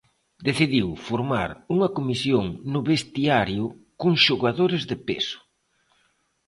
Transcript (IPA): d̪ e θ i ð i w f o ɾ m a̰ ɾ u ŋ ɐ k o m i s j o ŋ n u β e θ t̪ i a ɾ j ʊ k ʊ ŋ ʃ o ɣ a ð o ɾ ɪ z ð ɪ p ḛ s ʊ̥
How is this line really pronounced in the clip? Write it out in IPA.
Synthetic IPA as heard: d̪ e θ i ð i w f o ɾ m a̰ ɾ u ŋ ɐ k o m i s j o ŋ n ʊ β e s t̪ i a ɾ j ʊ k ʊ ŋ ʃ o ɣ a ð o ɾ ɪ z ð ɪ p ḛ s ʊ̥